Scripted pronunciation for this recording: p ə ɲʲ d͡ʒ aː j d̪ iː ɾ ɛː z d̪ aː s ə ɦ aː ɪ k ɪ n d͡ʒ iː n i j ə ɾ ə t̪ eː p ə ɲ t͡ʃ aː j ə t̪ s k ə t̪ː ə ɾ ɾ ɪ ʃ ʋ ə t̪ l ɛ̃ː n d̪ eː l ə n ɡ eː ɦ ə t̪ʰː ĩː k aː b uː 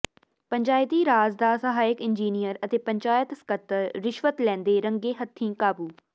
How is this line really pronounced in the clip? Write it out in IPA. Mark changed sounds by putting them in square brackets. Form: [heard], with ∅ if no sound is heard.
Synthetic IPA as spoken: p ə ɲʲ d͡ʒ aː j [t̪] iː ɾ [aː] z d̪ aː s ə ɦ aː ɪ k ɪ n d͡ʒ iː n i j ə ɾ ə t̪ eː p ə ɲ t͡ʃ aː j ə t̪ s k ə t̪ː ə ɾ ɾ ɪ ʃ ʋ ə t̪ l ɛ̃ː n d̪ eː [ɾ] ə [ŋ] ɡ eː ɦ ə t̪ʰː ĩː k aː b uː